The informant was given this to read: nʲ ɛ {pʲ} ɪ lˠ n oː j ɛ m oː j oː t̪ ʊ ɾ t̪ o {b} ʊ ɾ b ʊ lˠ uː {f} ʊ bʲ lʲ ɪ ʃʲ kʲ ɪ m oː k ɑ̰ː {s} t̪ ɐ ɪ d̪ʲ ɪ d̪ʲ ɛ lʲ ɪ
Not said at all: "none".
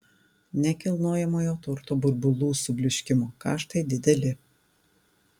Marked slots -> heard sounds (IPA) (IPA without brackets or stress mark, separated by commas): kʲ, b, s, ʃ